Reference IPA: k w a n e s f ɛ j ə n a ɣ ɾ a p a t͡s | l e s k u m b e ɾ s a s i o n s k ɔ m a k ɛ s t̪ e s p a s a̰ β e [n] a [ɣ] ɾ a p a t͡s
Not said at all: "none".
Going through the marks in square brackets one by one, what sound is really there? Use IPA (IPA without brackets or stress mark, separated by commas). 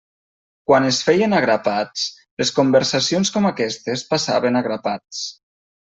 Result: n, ɣ